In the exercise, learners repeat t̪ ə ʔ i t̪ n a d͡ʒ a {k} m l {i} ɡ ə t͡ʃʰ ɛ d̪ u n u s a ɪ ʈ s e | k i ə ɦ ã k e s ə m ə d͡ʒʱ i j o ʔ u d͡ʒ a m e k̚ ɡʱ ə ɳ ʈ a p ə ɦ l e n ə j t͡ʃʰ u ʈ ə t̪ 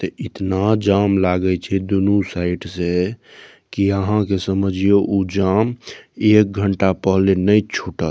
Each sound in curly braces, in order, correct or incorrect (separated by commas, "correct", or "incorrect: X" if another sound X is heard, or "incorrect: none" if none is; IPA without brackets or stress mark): incorrect: none, incorrect: a